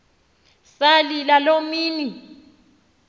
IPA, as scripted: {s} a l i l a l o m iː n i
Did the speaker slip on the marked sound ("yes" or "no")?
no